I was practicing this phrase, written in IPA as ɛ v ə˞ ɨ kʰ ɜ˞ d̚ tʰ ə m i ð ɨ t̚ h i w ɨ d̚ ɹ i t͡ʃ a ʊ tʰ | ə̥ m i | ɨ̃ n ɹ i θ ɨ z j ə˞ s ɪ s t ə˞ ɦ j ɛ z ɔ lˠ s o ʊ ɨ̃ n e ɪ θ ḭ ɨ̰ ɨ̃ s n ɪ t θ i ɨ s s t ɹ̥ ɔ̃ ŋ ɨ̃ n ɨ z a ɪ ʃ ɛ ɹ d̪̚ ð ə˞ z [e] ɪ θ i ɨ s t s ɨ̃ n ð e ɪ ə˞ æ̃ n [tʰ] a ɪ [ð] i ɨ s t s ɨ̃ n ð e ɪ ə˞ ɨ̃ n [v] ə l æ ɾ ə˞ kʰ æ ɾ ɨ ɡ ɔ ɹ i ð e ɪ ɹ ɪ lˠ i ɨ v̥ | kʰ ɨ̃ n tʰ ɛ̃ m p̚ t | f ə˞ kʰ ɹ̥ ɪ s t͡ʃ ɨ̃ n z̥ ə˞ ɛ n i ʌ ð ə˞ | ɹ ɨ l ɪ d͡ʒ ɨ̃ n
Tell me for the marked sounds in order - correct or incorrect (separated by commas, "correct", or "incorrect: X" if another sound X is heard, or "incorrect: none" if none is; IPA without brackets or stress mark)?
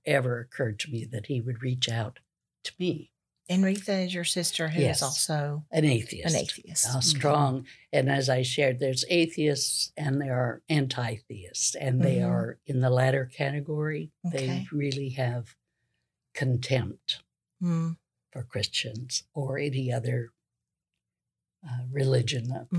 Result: correct, correct, incorrect: θ, incorrect: ð